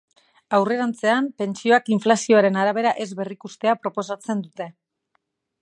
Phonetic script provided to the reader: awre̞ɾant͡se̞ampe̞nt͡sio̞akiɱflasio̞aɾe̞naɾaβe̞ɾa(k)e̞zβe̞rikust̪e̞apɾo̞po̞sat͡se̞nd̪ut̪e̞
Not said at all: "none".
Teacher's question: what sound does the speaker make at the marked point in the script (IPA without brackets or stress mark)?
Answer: ʔ